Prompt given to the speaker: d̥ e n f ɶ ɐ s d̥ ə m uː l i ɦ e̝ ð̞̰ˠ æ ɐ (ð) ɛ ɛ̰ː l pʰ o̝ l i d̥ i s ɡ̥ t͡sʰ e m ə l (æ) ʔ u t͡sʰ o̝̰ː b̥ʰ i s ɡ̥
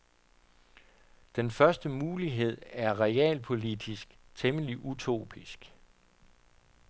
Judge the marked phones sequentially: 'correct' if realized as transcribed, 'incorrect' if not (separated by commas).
incorrect, incorrect